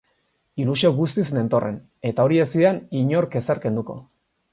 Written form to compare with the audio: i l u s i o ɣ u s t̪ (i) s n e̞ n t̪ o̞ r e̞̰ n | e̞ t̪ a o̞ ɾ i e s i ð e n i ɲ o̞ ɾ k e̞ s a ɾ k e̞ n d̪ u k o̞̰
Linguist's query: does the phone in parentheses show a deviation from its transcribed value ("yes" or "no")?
no